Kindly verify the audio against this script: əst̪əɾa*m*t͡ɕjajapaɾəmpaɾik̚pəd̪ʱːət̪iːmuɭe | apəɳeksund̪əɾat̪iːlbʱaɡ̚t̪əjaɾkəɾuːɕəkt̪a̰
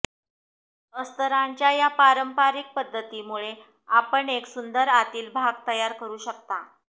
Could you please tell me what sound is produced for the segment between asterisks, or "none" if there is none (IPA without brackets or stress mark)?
ɲ